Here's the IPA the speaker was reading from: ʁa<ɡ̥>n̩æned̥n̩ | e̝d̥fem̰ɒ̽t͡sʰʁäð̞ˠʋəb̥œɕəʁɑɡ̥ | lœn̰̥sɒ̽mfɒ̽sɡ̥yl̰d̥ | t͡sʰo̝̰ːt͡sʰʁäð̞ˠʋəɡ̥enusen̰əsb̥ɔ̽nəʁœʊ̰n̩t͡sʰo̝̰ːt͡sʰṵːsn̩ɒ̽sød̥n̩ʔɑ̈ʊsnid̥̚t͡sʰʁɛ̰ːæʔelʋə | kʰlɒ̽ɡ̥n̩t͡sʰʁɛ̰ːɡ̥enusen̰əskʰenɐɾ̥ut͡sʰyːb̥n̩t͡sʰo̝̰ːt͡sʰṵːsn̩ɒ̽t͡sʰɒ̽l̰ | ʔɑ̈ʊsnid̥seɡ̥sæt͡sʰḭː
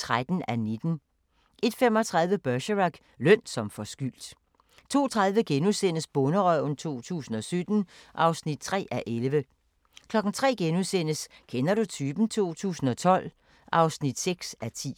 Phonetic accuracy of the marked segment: incorrect: d̥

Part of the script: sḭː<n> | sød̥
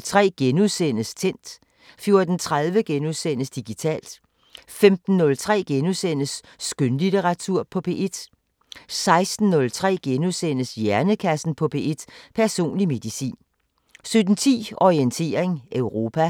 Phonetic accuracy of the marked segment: correct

